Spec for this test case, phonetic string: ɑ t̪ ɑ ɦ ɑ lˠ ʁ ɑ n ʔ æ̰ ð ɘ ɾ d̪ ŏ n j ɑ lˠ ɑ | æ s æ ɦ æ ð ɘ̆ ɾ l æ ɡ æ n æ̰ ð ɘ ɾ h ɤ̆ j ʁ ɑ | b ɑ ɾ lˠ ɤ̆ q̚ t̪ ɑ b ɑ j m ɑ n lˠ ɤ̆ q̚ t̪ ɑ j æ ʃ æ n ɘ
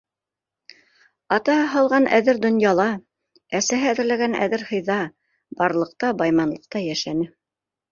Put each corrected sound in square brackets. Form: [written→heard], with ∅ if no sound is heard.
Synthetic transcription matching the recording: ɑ t̪ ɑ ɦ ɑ lˠ ʁ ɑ n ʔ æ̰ ð ɘ ɾ d̪ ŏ n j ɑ lˠ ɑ | æ s æ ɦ æ ð ɘ̆ ɾ l æ ɡ æ n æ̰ ð ɘ ɾ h ɤ̆ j [ʁ→ð] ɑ | b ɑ ɾ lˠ ɤ̆ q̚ t̪ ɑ b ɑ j m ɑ n lˠ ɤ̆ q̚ t̪ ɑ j æ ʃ æ n ɘ